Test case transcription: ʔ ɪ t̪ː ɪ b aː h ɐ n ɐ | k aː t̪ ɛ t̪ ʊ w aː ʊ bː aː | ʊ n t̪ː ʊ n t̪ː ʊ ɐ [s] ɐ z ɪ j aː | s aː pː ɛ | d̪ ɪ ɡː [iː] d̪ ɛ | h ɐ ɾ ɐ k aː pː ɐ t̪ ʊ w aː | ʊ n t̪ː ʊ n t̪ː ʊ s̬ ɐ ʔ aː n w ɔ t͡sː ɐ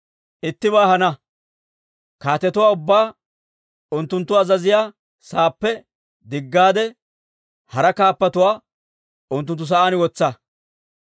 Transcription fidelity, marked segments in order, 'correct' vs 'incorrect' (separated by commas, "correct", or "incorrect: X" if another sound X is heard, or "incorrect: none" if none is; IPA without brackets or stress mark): incorrect: z, incorrect: aː